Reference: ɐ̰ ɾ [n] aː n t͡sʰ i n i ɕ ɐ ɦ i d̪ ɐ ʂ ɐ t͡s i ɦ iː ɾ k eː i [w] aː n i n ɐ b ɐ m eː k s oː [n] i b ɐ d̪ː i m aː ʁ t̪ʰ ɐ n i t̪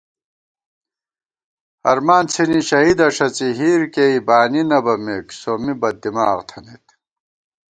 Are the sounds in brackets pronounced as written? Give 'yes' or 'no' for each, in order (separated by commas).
no, no, no